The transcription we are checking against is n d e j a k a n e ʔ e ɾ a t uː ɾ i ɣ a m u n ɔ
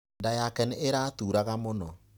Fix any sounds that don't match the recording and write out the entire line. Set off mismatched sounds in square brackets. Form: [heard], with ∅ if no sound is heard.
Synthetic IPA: n d [a] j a k [ɛ] n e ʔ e ɾ a t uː ɾ [a] ɣ a m [o] n ɔ